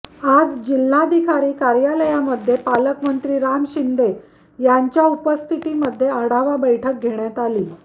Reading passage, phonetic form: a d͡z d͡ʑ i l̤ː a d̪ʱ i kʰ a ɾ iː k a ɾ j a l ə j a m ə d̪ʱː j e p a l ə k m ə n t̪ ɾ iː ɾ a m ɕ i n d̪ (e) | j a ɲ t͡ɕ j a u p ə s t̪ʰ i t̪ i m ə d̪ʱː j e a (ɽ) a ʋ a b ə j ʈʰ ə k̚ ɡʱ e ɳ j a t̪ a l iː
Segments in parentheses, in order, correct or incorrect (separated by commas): correct, correct